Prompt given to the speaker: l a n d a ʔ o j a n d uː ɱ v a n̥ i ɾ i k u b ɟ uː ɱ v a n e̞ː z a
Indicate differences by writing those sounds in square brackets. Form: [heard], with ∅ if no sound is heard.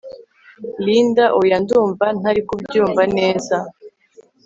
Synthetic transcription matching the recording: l [i] n d a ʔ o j a n d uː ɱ v a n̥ [a] ɾ i k u b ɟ uː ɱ v a n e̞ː z a